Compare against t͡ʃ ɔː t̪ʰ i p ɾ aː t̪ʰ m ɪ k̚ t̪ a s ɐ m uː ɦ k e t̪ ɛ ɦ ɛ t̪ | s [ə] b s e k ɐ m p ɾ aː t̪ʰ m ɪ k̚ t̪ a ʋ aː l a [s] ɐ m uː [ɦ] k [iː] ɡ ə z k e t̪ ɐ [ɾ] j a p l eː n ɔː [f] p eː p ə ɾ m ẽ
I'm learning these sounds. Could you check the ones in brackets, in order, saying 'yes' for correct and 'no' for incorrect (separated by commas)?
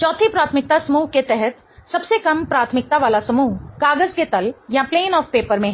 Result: no, yes, yes, no, no, yes